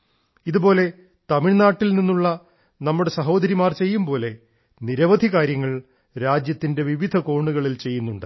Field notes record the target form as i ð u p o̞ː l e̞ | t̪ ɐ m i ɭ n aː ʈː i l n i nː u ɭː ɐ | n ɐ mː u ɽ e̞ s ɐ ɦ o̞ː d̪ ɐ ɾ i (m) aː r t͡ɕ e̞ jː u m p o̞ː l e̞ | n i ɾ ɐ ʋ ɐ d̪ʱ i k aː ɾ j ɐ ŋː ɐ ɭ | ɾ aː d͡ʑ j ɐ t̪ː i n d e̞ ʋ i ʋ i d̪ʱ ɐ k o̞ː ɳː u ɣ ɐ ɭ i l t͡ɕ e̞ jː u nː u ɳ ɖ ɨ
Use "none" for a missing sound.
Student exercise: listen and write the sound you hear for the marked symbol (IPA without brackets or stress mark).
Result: m